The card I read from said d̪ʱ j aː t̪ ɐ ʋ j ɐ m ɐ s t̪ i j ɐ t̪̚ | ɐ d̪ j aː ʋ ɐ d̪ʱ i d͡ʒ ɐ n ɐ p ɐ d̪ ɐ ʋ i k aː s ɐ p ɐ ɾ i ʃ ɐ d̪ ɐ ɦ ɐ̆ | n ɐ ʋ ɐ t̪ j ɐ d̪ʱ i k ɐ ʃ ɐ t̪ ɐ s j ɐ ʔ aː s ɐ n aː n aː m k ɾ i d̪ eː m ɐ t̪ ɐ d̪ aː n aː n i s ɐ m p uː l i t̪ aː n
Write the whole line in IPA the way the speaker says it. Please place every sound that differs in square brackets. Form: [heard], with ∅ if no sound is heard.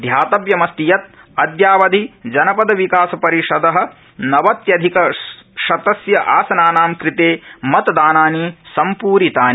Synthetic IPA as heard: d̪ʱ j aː t̪ ɐ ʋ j ɐ m ɐ s t̪ i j ɐ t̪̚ | ɐ d̪ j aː ʋ ɐ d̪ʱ i d͡ʒ ɐ n ɐ p ɐ d̪ ɐ ʋ i k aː s ɐ p ɐ ɾ i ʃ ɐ d̪ ɐ ɦ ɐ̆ | n ɐ ʋ ɐ t̪ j ɐ d̪ʱ i k ɐ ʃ ɐ t̪ ɐ s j ɐ ʔ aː s ɐ n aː n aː m k ɾ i [t̪] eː m ɐ t̪ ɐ d̪ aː n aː n i s ɐ m p uː [ɾ] i t̪ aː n